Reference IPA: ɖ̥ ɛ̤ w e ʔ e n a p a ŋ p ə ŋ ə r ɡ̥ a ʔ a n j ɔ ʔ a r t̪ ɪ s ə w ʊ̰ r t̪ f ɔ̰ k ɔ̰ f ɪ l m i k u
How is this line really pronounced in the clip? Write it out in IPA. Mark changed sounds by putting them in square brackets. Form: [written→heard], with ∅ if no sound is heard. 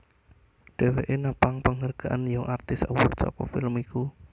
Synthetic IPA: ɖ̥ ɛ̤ w e ʔ e n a p a ŋ p ə ŋ ə r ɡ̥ a ʔ a n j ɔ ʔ a r t̪ ɪ s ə w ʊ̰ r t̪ [f→s] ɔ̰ k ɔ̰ f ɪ l m i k u